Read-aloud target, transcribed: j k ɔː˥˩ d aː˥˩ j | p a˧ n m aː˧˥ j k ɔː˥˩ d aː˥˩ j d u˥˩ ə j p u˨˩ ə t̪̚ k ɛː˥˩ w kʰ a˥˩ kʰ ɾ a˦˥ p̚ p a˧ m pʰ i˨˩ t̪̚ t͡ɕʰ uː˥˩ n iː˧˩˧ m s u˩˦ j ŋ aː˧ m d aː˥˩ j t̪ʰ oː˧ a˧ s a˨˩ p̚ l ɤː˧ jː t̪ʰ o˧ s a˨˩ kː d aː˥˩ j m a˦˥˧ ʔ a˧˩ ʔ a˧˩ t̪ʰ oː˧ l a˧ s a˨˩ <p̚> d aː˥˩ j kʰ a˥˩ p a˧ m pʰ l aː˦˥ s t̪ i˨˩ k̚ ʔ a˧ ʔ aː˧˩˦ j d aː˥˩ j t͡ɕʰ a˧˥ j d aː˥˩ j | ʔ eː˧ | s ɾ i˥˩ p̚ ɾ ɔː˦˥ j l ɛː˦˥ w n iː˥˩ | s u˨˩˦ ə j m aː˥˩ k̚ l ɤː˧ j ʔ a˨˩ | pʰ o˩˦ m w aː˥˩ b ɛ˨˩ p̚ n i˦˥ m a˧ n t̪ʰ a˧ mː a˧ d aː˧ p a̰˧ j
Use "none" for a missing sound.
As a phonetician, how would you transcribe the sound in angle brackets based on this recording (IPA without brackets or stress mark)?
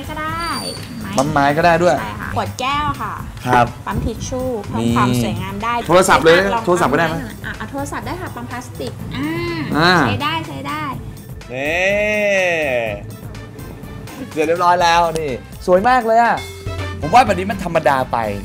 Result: p̚